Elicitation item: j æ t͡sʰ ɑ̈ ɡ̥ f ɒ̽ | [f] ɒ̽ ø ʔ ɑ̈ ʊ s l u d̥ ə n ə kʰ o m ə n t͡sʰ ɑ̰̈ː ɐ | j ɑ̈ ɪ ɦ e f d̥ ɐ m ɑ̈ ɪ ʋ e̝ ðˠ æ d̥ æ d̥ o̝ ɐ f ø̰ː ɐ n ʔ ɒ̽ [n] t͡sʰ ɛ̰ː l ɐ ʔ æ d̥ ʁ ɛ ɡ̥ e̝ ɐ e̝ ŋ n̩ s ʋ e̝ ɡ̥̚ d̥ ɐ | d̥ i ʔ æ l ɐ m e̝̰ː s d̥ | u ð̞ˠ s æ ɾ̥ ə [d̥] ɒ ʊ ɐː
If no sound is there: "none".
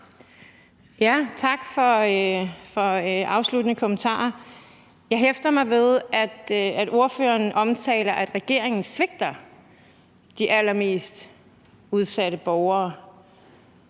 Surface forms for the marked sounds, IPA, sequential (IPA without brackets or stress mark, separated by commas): f, m, b̥